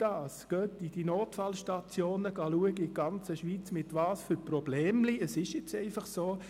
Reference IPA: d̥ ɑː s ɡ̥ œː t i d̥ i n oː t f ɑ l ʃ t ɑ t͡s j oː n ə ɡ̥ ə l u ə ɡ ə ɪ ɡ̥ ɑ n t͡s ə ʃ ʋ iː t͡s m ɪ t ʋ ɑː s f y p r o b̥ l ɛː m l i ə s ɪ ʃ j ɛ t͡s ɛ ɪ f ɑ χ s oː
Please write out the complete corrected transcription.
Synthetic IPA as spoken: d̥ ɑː s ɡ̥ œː t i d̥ i n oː t f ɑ l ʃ t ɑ t͡s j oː n ə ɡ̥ ɑ l u ə ɡ ə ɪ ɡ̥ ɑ n t͡s ə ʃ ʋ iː t͡s m ɪ t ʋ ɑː s f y p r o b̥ l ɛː m l i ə s ɪ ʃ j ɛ t͡s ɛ ɪ f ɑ χ s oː